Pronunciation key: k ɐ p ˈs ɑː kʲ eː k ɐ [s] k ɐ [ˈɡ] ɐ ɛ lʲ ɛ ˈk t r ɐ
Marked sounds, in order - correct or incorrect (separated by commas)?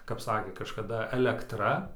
incorrect, incorrect